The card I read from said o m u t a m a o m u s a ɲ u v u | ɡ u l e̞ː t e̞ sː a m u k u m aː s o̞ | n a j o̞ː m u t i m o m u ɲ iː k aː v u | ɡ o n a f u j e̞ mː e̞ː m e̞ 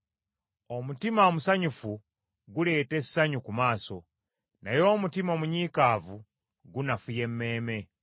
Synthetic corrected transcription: o m u t i m a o m u s a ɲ u f u | ɡ u l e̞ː t e̞ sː a ɲ u k u m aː s o̞ | n a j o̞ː m u t i m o m u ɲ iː k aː v u | ɡ u n a f u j e̞ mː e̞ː m e̞